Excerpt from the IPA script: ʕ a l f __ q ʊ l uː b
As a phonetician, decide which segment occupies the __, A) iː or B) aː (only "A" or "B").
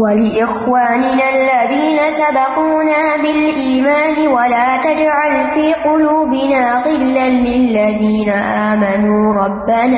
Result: A